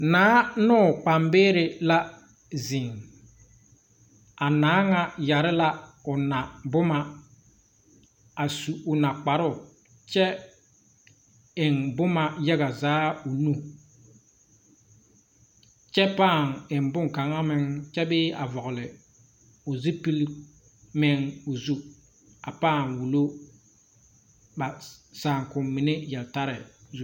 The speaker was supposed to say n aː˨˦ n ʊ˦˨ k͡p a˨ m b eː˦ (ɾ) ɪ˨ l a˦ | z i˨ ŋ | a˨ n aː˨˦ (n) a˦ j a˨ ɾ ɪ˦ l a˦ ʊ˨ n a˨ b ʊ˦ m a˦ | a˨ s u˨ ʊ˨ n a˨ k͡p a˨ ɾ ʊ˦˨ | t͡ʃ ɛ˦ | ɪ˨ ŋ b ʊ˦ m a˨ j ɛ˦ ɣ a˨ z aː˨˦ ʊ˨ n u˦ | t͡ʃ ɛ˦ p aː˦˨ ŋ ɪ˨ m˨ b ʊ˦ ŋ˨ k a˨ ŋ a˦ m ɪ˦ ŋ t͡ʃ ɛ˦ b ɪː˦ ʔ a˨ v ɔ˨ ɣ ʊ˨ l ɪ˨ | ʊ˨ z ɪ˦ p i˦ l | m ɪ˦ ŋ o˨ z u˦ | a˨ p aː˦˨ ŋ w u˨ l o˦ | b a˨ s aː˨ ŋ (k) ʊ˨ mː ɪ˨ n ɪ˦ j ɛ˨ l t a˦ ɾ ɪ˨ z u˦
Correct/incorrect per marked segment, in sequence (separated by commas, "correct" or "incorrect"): correct, incorrect, correct